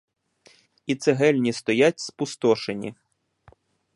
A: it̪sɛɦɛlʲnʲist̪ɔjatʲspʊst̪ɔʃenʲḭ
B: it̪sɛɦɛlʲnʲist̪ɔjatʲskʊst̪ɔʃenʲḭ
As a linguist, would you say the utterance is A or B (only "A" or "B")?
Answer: A